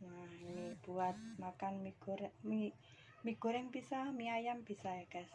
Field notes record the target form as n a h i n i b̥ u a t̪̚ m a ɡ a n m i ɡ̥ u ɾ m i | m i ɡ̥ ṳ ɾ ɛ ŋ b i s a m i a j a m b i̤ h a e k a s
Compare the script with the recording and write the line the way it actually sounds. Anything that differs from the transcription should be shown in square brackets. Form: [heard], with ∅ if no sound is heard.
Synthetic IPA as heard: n a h i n i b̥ u a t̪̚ m a [k] a n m i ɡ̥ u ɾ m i | m i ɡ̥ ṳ ɾ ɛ ŋ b i s a m i a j a m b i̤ [s] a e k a s